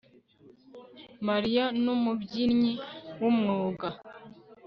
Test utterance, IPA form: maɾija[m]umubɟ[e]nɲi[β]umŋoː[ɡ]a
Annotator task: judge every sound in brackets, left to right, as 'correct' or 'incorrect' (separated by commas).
incorrect, incorrect, incorrect, correct